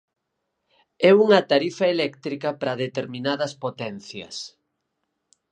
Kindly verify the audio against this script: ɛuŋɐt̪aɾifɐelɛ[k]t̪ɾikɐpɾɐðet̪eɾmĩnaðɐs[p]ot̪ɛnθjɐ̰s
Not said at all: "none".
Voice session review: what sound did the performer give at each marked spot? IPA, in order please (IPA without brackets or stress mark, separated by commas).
k, p